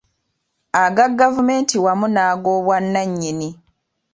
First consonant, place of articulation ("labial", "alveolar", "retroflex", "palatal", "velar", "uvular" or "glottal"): velar